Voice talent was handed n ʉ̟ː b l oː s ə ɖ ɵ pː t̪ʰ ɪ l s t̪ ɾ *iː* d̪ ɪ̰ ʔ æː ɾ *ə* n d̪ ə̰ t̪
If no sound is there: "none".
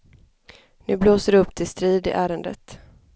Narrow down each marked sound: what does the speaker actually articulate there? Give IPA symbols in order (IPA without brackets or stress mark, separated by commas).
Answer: iː, ə